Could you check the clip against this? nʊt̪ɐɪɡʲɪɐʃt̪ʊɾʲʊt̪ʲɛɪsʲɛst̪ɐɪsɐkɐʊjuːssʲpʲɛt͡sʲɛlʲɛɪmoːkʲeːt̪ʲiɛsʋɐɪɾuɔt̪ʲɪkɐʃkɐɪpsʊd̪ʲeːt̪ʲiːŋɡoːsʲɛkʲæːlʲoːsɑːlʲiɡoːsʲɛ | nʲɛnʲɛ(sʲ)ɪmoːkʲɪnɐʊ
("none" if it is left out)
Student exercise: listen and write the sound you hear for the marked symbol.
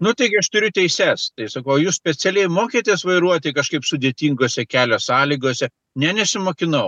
sʲ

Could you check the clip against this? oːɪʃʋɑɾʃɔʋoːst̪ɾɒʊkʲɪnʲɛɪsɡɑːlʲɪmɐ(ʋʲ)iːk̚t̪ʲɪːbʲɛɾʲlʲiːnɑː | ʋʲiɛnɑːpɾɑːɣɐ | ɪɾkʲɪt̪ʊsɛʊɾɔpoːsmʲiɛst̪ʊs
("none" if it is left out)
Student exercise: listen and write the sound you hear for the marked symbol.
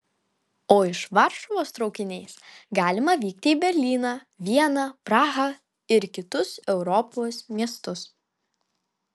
ʋʲ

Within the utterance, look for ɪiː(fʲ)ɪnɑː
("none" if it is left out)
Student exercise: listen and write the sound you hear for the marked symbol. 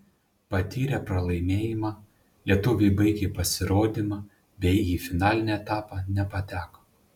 fʲ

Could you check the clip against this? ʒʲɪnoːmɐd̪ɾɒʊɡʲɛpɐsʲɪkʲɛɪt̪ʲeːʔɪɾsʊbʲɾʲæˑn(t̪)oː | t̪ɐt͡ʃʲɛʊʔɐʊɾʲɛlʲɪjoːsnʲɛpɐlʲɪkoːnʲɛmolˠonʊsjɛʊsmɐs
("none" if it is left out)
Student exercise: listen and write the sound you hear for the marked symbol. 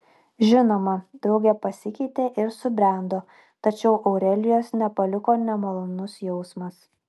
d̪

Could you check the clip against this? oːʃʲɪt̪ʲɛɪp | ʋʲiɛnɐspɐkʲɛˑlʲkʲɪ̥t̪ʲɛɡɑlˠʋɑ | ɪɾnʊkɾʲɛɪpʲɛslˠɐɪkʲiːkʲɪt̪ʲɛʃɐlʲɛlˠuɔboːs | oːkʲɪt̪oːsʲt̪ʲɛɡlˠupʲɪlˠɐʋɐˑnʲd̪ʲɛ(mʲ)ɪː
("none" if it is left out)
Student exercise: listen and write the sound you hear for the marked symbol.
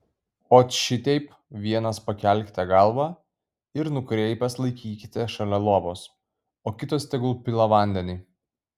nʲ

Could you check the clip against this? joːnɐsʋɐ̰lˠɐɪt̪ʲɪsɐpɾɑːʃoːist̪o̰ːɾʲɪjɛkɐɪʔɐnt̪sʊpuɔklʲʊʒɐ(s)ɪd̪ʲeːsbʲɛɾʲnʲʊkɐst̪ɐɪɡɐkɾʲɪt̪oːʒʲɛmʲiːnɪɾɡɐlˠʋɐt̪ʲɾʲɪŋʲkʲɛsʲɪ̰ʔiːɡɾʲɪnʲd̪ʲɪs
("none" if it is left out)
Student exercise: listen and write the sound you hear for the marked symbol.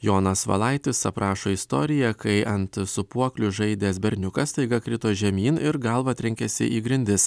none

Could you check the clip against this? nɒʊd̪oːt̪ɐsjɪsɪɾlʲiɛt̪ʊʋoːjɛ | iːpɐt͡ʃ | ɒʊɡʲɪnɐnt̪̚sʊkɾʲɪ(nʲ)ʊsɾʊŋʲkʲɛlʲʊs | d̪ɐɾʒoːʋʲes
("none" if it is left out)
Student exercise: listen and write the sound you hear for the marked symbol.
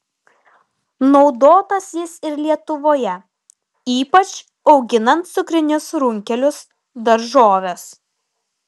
nʲ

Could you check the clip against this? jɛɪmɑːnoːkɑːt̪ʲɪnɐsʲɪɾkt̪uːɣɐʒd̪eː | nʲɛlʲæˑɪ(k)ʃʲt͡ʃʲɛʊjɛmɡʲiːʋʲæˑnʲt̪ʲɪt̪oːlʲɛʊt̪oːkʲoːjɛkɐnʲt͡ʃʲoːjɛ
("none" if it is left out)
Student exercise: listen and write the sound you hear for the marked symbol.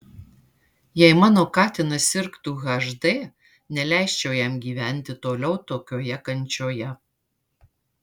none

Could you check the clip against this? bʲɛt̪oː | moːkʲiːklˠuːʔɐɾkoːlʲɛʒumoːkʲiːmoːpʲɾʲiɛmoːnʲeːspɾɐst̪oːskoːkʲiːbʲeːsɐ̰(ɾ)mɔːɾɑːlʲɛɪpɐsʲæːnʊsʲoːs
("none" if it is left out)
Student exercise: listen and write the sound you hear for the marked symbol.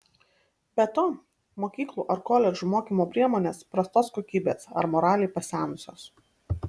ɾ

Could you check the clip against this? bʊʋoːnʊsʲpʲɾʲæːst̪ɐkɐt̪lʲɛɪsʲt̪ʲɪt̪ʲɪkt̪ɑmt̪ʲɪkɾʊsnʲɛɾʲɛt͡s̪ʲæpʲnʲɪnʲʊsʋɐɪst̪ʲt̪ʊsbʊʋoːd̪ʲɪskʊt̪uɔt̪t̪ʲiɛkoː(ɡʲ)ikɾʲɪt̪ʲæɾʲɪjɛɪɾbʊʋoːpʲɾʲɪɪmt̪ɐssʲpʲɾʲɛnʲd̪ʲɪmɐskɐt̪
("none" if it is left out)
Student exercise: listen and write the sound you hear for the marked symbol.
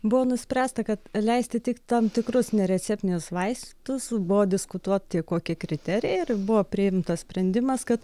kʲ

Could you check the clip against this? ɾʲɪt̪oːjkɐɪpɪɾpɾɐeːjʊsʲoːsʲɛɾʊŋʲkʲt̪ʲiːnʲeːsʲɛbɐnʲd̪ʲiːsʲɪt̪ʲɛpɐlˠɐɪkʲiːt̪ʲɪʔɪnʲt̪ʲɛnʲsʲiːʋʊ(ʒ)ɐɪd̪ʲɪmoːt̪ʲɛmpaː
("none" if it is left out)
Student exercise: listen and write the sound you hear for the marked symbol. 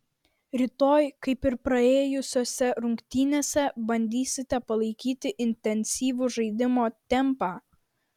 ʒ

